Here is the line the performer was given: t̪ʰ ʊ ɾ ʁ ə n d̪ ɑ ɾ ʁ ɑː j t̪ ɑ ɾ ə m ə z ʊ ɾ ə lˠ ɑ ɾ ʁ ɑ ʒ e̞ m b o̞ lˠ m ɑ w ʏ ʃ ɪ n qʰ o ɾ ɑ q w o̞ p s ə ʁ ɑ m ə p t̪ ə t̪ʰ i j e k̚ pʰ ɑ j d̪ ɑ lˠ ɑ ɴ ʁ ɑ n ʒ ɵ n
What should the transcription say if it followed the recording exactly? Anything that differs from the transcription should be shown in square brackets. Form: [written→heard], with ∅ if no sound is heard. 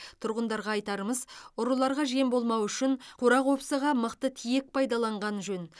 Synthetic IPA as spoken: t̪ʰ ʊ ɾ ʁ ə n d̪ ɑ ɾ ʁ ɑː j t̪ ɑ ɾ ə m ə z ʊ ɾ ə lˠ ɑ ɾ ʁ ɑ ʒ e̞ m b o̞ lˠ m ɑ w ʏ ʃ ɪ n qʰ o ɾ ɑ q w o̞ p s ə ʁ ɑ m ə [p→q] t̪ ə t̪ʰ i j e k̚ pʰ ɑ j d̪ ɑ lˠ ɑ ɴ ʁ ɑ n ʒ ɵ n